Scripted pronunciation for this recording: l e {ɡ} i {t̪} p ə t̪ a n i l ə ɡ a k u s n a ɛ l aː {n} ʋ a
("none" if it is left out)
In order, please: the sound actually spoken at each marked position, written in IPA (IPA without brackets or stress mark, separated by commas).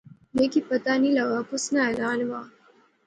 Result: k, none, n